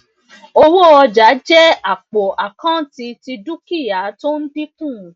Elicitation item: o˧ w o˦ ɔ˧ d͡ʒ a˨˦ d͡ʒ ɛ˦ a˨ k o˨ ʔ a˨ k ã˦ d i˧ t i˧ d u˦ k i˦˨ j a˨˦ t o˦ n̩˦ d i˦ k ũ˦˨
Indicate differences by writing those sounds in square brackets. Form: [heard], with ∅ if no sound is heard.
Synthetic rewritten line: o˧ w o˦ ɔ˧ d͡ʒ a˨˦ d͡ʒ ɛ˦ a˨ [k͡p] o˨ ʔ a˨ k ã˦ [t] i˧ t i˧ d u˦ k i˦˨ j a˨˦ t o˦ n̩˦ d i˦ k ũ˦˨